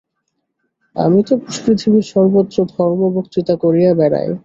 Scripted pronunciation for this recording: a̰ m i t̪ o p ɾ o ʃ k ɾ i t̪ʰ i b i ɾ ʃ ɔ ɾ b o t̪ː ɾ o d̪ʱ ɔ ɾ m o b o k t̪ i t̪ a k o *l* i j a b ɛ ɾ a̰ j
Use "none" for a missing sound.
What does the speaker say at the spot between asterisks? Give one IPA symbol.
ɾ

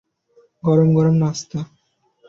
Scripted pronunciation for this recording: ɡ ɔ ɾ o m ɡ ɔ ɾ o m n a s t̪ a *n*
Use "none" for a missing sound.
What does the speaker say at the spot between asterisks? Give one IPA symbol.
none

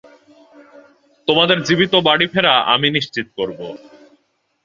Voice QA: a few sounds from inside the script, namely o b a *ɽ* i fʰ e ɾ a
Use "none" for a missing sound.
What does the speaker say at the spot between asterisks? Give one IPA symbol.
ɽ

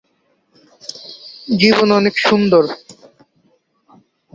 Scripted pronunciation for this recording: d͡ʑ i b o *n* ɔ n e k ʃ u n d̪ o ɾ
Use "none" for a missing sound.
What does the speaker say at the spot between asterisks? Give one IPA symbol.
n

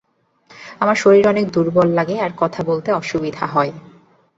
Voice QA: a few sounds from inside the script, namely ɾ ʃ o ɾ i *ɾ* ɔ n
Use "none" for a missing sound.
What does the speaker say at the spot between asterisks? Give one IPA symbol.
ɾ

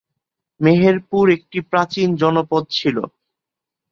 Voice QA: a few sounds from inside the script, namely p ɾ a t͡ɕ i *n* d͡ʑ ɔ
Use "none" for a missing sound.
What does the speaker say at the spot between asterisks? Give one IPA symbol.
n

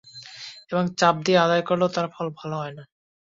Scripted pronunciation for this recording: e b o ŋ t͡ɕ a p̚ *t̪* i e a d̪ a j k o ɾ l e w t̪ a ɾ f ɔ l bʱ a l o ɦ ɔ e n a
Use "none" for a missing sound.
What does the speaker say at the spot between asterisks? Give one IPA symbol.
d̪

